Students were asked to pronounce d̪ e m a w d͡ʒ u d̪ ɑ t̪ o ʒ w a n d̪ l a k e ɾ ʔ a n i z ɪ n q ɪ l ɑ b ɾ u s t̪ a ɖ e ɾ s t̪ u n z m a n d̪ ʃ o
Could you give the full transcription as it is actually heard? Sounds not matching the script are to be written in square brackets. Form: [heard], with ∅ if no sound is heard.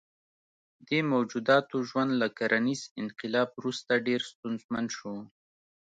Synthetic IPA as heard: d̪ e m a w d͡ʒ u d̪ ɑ t̪ o ʒ w a n d̪ l a k [a] ɾ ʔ a n i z ɪ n q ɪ l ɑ b ɾ u s t̪ a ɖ e ɾ s t̪ u n z m a n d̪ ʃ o